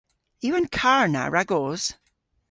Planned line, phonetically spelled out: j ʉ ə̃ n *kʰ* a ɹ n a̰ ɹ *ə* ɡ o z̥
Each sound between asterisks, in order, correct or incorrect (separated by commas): correct, incorrect